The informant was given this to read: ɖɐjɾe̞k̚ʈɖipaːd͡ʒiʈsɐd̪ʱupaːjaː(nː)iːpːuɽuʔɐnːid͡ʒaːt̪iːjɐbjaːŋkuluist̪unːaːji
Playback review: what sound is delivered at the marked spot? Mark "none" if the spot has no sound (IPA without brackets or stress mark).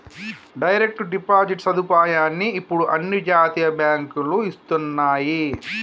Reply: nː